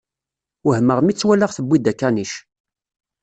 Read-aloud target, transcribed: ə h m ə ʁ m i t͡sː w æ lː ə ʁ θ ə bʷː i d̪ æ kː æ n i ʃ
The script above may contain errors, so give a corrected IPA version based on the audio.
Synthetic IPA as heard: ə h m ə ʁ m i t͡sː w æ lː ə ʁ θ ə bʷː i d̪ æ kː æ n i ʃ